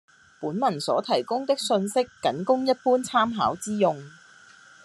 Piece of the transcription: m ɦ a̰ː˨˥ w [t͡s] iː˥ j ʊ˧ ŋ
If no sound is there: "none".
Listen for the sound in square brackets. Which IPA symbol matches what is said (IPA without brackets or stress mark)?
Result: t͡s